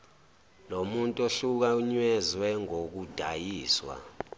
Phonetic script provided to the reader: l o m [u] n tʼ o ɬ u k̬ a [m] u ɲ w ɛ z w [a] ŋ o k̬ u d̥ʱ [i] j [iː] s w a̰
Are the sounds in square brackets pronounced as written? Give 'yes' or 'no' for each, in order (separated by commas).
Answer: yes, no, no, no, yes